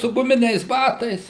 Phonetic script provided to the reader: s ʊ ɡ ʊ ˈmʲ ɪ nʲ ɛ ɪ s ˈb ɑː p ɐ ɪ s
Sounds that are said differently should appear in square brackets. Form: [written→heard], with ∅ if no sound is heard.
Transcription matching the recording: s ʊ ɡ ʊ ˈmʲ ɪ nʲ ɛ ɪ s ˈb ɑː [p→t] ɐ ɪ s